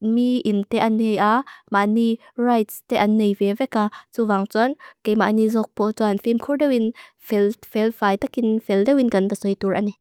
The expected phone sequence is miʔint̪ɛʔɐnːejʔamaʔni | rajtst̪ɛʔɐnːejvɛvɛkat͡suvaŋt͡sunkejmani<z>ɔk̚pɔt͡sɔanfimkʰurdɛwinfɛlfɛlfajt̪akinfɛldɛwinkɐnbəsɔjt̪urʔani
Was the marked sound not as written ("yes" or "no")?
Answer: no